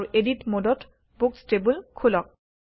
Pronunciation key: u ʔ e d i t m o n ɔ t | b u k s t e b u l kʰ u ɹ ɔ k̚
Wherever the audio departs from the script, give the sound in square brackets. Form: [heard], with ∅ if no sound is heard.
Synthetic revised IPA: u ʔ e d i t m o [d] ɔ t | b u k s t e b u l kʰ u [l] ɔ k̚